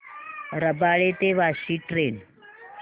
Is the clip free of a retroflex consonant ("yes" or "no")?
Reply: no